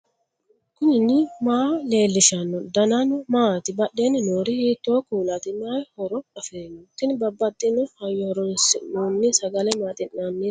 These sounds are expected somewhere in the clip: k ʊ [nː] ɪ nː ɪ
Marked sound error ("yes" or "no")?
yes